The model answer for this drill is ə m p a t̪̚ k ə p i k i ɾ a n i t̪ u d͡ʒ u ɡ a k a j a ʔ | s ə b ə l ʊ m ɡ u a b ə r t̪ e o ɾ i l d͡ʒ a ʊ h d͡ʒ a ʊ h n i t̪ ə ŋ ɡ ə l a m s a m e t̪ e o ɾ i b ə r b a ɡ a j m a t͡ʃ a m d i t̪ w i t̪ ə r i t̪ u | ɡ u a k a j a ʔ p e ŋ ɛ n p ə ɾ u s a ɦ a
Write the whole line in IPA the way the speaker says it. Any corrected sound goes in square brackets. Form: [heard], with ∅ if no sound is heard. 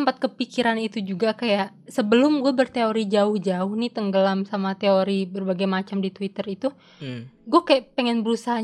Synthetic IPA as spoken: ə m p a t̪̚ k ə p i k i ɾ a n i t̪ u d͡ʒ u ɡ a k a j a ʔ | s ə b ə l ʊ m ɡ u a b ə r t̪ e o ɾ i [∅] d͡ʒ a ʊ h d͡ʒ a ʊ h n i t̪ ə ŋ ɡ ə l a m s a m [a] t̪ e o ɾ i b ə r b a ɡ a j m a t͡ʃ a m d i t̪ w i t̪ ə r i t̪ u | ɡ u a k a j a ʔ p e ŋ ɛ n [b] ə ɾ u s a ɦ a